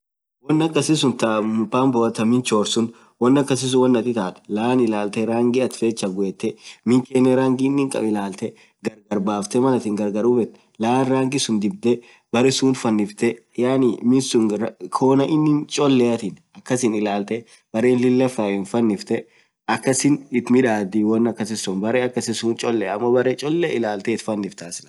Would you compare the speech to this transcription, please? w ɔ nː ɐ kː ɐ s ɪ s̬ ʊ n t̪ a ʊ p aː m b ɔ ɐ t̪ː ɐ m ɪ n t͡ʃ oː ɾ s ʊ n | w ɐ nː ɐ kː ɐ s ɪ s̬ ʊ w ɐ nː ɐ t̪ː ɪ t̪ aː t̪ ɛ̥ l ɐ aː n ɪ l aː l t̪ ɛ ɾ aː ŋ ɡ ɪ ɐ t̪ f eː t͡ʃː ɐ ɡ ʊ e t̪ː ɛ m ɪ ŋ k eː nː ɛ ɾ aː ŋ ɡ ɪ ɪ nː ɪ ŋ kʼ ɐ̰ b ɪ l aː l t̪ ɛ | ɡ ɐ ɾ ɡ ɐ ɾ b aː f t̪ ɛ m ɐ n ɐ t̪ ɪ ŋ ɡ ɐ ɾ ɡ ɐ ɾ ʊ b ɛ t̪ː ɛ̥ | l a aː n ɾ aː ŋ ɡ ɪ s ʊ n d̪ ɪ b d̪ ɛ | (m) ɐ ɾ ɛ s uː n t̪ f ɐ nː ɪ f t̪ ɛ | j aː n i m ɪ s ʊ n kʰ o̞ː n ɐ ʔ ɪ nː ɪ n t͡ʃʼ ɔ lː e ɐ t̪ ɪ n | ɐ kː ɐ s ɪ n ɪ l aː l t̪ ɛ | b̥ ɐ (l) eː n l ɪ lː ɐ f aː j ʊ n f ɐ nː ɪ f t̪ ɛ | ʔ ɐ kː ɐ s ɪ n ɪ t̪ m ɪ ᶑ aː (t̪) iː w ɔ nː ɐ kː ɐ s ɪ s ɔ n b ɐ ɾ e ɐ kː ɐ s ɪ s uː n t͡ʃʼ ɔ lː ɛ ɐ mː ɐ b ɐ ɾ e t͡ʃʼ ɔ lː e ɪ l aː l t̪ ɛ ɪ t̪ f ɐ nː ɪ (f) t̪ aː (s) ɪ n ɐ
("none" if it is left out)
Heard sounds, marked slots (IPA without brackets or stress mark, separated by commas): b, ɾ, d̪, f, s